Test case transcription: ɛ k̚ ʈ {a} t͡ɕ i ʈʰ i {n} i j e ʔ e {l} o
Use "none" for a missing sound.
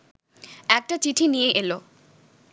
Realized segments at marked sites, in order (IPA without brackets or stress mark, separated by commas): a, n, l